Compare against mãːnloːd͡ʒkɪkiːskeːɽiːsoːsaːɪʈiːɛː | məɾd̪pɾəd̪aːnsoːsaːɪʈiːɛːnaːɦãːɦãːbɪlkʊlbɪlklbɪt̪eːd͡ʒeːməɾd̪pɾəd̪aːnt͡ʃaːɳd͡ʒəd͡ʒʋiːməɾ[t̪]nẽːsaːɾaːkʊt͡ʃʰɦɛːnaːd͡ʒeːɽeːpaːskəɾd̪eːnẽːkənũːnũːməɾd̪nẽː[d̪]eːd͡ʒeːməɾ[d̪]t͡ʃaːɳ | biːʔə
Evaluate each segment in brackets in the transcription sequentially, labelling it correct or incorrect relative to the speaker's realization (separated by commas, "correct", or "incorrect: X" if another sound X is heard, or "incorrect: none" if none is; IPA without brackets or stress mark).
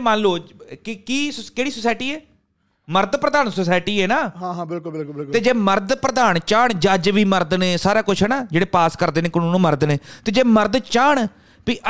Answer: incorrect: d̪, incorrect: t̪, correct